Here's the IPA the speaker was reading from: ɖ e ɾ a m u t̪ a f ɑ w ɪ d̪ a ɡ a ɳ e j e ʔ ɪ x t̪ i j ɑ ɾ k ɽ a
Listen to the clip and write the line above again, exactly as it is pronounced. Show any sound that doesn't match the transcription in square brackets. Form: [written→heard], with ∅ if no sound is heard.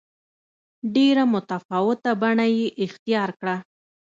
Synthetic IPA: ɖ e ɾ a m [u→ʊ] t̪ a f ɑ w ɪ [d̪→t̪] a [ɡ→b] a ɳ [e→a] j e ʔ ɪ x t̪ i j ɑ ɾ k ɽ a